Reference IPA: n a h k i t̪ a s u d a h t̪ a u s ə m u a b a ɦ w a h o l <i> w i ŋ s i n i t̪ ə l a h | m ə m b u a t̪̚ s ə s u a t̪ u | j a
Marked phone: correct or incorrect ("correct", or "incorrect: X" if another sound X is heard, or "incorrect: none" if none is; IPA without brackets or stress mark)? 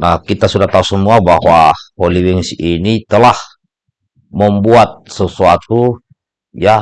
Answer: correct